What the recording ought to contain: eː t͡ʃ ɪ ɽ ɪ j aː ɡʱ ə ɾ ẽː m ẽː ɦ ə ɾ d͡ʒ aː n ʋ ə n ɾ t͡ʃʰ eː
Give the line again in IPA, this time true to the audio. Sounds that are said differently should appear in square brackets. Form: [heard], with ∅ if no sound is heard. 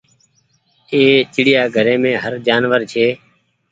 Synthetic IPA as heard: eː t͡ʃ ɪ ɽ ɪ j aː ɡʱ ə ɾ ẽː m ẽː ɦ ə ɾ d͡ʒ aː n ʋ ə [∅] ɾ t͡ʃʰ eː

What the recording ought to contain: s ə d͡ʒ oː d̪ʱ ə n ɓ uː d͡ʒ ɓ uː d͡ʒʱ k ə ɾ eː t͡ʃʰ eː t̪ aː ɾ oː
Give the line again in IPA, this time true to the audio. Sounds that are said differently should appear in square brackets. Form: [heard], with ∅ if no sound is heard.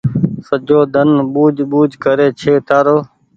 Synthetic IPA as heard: s ə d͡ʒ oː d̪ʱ ə n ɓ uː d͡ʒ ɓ uː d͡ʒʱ k ə ɾ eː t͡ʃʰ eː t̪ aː ɾ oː

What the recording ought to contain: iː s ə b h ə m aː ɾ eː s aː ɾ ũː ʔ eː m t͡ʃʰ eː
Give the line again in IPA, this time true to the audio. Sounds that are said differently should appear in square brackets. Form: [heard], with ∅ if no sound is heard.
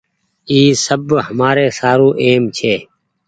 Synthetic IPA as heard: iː s ə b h ə m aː ɾ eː s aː ɾ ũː ʔ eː m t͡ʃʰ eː

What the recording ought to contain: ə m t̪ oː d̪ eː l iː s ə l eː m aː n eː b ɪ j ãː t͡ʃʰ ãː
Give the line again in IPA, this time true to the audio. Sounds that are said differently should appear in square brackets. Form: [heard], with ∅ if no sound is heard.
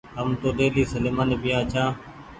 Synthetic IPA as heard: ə m t̪ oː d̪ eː l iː s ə l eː m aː n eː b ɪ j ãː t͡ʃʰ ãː

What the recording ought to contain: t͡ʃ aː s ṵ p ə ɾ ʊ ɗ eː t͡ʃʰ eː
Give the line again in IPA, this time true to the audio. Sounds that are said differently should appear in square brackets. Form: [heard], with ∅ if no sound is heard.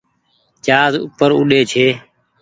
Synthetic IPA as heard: t͡ʃ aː [z] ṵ p ə ɾ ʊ ɗ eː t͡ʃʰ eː

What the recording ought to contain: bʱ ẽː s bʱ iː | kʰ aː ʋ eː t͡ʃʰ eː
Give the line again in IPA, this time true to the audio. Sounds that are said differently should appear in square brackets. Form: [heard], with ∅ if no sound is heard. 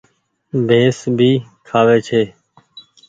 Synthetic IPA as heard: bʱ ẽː s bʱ iː | kʰ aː ʋ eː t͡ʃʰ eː

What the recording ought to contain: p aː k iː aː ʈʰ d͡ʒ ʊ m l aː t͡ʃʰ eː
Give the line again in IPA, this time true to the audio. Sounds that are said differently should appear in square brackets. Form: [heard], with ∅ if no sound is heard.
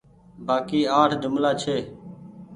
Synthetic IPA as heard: [b] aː k iː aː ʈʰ d͡ʒ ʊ m l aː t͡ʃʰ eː

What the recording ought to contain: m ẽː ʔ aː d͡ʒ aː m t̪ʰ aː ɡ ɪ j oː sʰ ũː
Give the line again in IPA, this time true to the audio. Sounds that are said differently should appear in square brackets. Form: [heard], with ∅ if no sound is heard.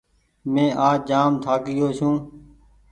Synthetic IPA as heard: m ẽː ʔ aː d͡ʒ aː m t̪ʰ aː [k] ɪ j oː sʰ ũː

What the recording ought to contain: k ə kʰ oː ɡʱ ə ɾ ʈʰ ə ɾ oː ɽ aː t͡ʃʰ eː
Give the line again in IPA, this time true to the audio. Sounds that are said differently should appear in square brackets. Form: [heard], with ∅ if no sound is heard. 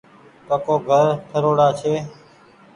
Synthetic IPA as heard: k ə [k] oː ɡʱ ə ɾ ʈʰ ə ɾ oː ɽ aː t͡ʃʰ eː

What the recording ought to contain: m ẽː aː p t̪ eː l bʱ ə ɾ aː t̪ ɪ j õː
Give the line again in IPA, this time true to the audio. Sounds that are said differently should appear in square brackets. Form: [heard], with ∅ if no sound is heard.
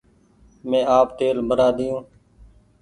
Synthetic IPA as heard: m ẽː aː p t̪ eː l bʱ ə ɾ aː [d̪] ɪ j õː

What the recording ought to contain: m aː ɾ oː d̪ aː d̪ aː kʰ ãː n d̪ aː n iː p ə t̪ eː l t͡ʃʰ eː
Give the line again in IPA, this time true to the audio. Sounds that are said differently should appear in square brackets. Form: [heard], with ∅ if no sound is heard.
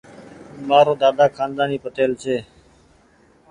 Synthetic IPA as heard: m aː ɾ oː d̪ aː d̪ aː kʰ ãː n d̪ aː n iː p ə t̪ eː l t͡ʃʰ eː

